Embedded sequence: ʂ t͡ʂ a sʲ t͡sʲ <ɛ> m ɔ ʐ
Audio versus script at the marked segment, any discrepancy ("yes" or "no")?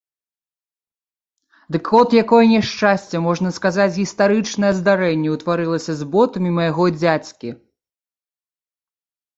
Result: no